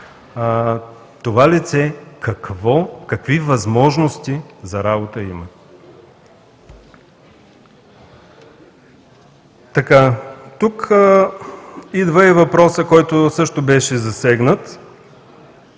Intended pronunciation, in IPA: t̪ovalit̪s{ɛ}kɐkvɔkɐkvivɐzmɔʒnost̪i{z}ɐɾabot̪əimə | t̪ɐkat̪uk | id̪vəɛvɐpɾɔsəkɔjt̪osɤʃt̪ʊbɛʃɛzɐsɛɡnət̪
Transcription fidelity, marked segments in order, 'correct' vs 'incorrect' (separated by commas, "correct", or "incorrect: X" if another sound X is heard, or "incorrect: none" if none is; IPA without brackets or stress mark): correct, correct